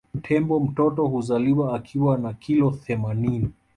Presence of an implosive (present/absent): absent